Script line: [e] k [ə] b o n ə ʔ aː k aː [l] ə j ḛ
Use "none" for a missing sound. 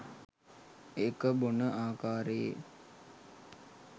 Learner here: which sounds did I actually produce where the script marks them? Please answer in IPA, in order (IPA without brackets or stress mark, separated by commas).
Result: e, ə, ɾ